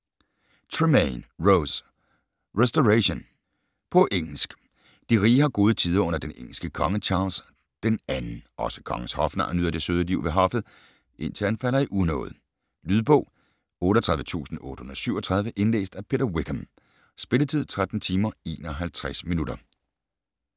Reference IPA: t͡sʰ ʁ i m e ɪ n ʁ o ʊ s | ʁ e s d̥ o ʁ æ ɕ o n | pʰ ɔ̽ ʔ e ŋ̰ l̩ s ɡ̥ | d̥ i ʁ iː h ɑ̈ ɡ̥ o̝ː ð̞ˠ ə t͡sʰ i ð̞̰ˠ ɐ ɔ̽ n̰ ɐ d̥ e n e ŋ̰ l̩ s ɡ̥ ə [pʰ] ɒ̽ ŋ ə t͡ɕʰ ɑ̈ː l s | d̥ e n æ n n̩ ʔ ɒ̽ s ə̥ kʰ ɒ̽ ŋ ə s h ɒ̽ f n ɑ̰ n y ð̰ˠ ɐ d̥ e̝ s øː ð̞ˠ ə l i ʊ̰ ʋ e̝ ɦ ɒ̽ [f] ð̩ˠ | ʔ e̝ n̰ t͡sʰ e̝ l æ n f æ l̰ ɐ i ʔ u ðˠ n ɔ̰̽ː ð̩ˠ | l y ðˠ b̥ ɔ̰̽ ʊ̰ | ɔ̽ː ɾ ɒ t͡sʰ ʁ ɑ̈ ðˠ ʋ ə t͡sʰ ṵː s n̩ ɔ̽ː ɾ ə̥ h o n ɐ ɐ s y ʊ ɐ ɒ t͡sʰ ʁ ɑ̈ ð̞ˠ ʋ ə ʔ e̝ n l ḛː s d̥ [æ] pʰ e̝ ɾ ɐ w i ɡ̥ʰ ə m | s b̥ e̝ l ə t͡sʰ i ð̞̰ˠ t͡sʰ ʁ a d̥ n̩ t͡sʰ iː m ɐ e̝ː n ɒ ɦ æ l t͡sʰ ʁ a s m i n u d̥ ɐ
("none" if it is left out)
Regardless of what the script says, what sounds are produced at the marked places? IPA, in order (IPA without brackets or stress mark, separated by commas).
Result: kʰ, f, æ